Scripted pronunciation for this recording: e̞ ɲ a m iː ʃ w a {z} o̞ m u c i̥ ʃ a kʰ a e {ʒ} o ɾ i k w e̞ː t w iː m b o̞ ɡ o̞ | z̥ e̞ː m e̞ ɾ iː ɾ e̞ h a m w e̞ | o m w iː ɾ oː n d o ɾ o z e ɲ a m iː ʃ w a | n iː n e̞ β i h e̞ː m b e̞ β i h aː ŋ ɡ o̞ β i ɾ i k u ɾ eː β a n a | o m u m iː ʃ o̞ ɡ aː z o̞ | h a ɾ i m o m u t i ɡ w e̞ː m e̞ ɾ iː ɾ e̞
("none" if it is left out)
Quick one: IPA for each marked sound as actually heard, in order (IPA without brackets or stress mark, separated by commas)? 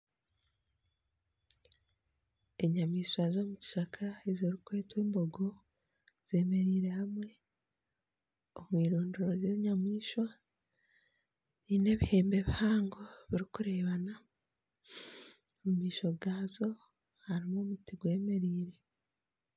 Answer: z, z